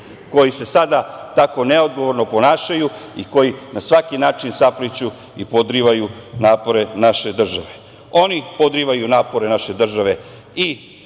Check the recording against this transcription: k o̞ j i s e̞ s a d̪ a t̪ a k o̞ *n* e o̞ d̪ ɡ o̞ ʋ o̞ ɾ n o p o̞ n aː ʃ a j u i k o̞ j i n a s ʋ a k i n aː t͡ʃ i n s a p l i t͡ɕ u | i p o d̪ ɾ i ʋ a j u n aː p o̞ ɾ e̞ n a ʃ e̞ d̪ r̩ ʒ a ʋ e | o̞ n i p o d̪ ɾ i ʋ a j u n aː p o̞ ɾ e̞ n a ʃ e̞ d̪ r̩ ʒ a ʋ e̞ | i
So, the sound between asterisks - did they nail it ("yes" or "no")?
yes